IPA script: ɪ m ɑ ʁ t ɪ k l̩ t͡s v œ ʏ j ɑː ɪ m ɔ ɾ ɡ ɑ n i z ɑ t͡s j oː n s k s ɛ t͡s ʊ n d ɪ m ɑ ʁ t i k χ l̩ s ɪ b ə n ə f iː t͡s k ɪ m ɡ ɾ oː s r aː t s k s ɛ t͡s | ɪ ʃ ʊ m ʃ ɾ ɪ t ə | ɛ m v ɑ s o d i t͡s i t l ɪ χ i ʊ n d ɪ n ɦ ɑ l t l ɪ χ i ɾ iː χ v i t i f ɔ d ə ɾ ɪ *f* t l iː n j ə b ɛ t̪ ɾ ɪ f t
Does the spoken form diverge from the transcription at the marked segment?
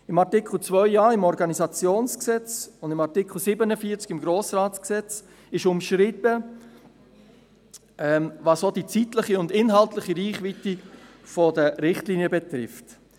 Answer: yes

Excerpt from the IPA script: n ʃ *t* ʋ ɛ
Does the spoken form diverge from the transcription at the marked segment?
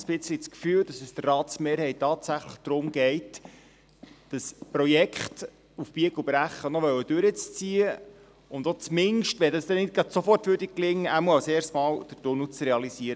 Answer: no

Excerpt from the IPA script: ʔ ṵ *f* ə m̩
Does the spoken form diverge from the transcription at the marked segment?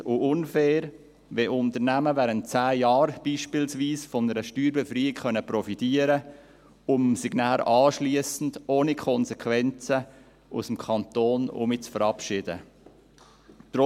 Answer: yes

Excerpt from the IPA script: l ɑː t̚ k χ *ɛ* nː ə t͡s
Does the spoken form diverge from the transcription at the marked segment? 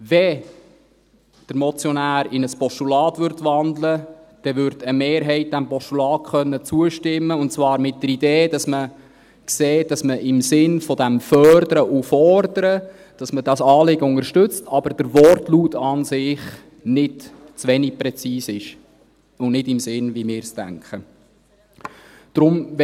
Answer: yes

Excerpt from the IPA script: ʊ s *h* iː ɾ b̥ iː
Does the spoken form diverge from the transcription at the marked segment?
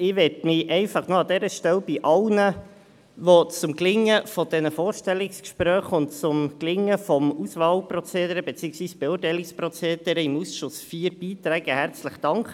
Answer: yes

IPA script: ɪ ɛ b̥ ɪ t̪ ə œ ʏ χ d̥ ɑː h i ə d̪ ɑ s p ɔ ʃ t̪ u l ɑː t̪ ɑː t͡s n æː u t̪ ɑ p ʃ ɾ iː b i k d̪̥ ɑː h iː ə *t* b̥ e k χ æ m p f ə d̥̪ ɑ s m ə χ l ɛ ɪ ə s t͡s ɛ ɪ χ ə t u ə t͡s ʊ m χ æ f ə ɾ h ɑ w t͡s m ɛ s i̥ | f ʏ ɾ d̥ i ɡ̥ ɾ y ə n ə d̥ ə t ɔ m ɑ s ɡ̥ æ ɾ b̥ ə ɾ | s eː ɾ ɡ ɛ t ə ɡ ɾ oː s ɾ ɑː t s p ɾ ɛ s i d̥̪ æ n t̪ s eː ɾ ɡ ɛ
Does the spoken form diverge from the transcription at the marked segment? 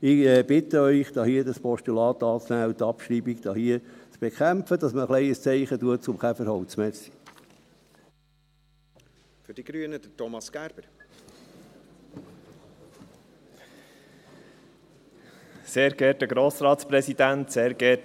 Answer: yes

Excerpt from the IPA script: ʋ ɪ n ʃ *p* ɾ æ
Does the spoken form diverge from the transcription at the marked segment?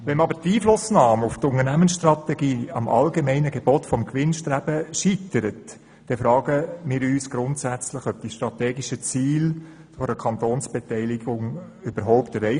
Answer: yes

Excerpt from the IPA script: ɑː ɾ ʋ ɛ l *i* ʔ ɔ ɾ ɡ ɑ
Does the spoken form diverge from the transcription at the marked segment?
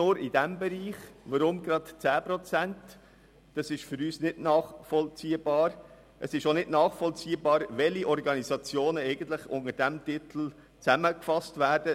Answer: no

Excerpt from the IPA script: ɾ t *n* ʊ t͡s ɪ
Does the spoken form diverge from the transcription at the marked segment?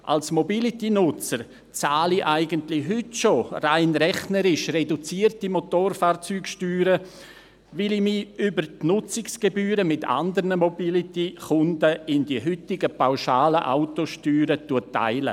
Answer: no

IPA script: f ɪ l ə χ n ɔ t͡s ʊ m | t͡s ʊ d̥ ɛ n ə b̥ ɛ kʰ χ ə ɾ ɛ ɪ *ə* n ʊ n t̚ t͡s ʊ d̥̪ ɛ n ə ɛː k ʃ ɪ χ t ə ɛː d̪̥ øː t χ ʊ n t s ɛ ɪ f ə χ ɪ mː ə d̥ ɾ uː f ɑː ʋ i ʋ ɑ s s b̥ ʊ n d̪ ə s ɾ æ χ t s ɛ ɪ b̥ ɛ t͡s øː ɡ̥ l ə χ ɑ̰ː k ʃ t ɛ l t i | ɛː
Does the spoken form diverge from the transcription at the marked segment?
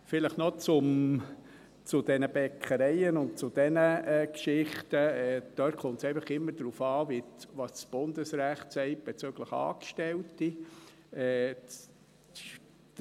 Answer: no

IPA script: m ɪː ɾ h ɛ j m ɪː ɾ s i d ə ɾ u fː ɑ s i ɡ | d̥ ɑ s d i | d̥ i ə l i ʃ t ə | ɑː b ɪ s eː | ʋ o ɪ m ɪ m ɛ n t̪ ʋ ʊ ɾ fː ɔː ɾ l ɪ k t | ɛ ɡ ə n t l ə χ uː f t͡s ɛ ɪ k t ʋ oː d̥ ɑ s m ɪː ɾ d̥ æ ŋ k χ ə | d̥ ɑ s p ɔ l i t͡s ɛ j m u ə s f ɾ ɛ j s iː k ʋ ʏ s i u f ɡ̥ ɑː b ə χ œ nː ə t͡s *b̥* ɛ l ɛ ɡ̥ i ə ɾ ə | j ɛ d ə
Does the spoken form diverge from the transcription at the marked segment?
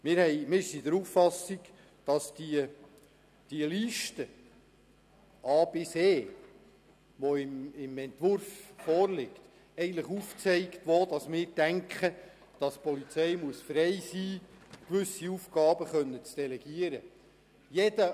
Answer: yes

